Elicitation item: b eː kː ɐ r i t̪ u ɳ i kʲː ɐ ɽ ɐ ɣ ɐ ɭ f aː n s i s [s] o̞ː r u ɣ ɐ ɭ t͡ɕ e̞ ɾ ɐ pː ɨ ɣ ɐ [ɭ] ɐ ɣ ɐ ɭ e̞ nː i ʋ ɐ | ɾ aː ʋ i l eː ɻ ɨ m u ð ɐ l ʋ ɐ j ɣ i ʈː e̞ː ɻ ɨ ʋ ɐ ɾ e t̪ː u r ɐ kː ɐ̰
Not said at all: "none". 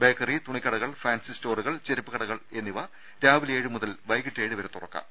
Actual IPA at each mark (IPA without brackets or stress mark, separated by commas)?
t, ɽ